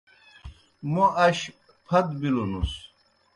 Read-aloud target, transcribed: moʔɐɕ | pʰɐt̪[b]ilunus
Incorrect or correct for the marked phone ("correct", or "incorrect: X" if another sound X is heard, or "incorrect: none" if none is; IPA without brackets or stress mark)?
correct